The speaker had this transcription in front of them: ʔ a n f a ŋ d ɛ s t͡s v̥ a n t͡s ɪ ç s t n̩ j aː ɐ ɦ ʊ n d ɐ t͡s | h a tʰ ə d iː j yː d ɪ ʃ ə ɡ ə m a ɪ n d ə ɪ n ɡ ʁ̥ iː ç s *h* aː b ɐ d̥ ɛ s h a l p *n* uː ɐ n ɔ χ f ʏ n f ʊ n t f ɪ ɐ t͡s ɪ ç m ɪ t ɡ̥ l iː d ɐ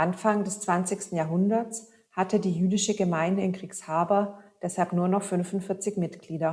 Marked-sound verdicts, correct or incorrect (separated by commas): correct, correct